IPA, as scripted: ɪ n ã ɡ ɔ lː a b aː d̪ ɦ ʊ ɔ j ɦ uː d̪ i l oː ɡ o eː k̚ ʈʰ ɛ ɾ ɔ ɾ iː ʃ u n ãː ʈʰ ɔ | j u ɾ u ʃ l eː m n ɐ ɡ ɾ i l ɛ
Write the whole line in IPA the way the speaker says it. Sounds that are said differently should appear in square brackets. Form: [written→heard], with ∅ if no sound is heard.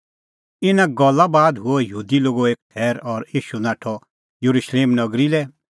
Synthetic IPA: ɪ n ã ɡ ɔ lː a b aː d̪ ɦ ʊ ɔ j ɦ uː d̪ i l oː ɡ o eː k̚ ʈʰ [ɛ→ɛː] ɾ ɔ ɾ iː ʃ u n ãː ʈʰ ɔ | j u ɾ u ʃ l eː m n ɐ ɡ ɾ i l ɛ